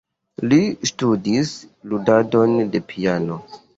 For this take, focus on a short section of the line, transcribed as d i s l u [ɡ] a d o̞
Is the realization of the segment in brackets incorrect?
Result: yes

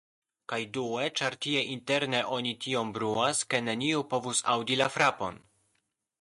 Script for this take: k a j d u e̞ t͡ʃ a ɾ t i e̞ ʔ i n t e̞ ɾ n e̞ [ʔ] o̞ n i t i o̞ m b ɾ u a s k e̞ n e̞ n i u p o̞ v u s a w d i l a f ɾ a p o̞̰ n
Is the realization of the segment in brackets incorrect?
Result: no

